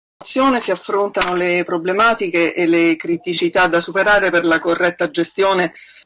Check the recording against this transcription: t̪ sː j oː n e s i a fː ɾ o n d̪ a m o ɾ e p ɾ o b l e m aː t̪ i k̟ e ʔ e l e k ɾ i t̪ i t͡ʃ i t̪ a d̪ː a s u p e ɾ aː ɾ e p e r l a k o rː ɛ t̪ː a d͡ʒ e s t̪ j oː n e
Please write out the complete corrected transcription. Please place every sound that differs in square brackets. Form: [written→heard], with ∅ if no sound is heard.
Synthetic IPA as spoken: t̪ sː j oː n e s i a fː ɾ o n [d̪→t̪] a [m→n] o [ɾ→l] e p ɾ o b l e m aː t̪ i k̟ e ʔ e l e k ɾ i t̪ i t͡ʃ i t̪ a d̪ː a s u p e ɾ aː ɾ e p e r l a k o rː ɛ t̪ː a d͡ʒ e s t̪ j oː n e